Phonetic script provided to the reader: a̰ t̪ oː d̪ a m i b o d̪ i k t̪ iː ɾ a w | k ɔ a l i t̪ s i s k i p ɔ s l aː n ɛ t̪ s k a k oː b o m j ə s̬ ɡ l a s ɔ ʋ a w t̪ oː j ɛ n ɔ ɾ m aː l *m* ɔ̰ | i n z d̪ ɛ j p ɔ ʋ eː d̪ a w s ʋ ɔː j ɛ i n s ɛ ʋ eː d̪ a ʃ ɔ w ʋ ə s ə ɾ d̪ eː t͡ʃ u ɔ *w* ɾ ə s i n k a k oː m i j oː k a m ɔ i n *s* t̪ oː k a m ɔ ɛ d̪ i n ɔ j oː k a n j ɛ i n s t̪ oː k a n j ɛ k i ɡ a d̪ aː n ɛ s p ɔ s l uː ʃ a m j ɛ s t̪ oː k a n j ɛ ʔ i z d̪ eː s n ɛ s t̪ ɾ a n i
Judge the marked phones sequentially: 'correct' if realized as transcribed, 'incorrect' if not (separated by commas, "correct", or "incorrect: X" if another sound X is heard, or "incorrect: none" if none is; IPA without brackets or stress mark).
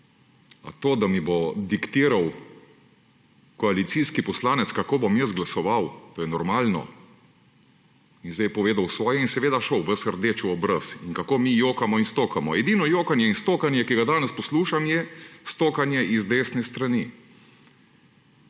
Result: incorrect: n, incorrect: b, correct